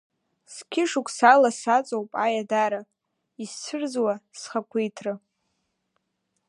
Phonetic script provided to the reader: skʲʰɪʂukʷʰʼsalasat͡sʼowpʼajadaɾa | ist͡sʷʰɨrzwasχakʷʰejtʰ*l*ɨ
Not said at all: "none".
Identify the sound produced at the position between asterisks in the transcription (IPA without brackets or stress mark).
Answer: r